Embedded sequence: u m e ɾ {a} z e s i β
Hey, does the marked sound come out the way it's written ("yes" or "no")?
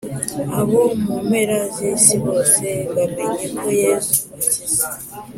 yes